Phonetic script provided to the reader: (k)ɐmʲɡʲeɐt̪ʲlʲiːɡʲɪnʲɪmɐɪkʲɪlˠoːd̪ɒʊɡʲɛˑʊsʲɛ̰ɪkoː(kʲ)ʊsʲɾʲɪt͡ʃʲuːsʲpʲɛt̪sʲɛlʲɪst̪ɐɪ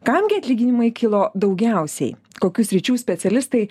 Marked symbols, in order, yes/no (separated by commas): yes, yes